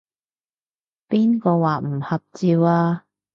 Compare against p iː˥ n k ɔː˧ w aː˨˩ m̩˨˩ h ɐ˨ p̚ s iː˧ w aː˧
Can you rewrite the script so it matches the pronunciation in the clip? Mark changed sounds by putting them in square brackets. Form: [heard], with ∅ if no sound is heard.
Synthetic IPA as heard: p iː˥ n k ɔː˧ w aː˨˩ m̩˨˩ h ɐ˨ p̚ [t͡s] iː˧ w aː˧